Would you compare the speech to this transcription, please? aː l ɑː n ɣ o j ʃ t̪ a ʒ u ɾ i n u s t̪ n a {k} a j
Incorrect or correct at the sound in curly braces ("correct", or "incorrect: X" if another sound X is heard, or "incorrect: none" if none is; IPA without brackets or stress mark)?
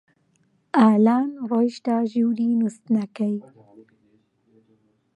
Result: correct